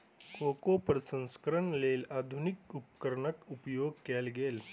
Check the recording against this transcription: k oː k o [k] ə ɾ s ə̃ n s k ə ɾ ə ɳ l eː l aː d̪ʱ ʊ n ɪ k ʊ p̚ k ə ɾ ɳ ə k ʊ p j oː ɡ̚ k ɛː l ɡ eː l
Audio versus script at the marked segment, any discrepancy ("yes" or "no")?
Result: yes